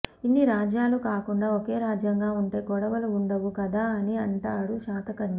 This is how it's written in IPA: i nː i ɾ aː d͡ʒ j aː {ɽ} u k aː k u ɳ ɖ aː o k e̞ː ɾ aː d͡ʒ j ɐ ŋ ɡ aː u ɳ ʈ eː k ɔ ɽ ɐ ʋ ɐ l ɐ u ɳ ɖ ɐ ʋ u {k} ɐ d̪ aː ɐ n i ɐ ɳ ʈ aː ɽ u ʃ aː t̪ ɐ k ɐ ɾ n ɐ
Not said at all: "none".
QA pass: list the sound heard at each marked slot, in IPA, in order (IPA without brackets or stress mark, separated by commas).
l, k